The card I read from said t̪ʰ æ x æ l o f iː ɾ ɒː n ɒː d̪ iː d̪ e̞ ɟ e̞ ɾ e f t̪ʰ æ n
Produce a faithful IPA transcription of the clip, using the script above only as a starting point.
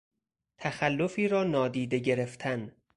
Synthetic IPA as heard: t̪ʰ æ x æ lː o f iː ɾ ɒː n ɒː d̪ iː d̪ e̞ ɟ e̞ ɾ e f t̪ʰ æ n

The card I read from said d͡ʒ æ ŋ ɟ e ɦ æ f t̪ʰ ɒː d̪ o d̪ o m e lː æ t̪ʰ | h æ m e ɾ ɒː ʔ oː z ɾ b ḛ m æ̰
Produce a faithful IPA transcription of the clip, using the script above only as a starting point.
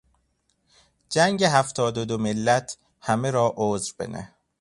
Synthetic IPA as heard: d͡ʒ æ ŋ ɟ e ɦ æ f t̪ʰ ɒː d̪ o d̪ o m e lː æ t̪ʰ | h æ m e ɾ ɒː ʔ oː z ɾ b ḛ n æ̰

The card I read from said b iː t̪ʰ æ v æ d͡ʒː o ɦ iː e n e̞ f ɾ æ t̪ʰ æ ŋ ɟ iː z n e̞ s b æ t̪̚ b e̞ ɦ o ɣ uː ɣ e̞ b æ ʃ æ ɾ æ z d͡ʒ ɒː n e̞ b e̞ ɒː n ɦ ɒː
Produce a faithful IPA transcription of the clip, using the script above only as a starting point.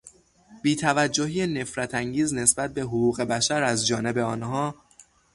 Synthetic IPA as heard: b iː t̪ʰ æ v æ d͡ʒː o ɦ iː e n e̞ f ɾ æ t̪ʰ æ ŋ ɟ iː z n e̞ s b æ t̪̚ b e̞ ɦ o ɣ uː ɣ e̞ b æ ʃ æ ɾ æ z d͡ʒ ɒː n e̞ b e̞ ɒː n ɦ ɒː

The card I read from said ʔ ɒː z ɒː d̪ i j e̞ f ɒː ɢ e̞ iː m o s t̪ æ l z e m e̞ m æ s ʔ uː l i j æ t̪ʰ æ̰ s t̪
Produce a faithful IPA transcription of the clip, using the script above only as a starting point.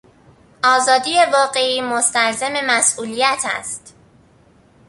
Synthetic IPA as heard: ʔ ɒː z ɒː d̪ i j e̞ v ɒː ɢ e̞ iː m o s t̪ æ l z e m e̞ m æ s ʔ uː l i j æ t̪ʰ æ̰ s t̪

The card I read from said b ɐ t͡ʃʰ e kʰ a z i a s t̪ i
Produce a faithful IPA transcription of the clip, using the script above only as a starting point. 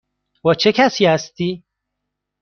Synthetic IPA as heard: w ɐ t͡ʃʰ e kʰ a s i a s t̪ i

